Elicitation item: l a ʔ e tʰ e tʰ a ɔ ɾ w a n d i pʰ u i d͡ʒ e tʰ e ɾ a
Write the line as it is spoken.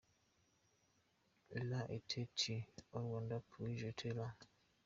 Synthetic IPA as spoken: l a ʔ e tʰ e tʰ i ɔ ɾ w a n d a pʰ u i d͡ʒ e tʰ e l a